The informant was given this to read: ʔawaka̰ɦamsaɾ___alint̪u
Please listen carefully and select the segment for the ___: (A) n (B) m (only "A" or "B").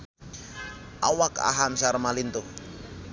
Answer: B